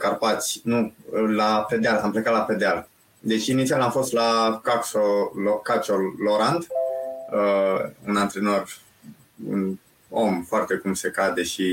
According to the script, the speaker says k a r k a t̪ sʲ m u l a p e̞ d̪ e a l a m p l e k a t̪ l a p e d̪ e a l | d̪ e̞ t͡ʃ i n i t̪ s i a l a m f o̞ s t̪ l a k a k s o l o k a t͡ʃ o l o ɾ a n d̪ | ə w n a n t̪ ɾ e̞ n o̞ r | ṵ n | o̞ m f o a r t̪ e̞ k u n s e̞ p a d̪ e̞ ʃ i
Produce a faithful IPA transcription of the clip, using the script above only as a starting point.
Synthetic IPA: k a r p a t̪ sʲ n u l a p e̞ d̪ e a l a m p l e k a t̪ l a p e d̪ e a l | d̪ e̞ t͡ʃ i n i t̪ s i a l a m f o̞ s t̪ l a k a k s o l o k a t͡ʃ o l o ɾ a n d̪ | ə u n a n t̪ ɾ e̞ n o̞ r | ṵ n | o̞ m f o a r t̪ e̞ k u m s e̞ k a d̪ e̞ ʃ i